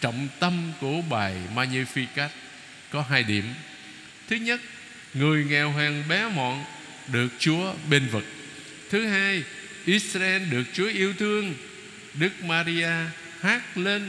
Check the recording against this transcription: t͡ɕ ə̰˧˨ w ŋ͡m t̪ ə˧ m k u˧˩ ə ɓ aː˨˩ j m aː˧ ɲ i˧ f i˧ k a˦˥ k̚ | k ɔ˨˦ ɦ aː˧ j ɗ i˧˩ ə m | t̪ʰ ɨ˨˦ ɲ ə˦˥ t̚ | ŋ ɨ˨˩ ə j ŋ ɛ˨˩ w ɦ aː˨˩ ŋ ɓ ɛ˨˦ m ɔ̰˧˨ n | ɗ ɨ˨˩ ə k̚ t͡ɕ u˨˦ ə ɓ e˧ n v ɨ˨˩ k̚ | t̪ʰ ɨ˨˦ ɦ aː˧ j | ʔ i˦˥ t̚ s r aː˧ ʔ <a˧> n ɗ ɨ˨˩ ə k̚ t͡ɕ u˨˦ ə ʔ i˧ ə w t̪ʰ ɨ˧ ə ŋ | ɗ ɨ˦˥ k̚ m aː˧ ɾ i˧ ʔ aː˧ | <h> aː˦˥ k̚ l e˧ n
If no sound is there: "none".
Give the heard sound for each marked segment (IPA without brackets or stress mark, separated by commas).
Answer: ɛ˧, h